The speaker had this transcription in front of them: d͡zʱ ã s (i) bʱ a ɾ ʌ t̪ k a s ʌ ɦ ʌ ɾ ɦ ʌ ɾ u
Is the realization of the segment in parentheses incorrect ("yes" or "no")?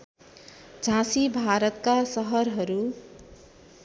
no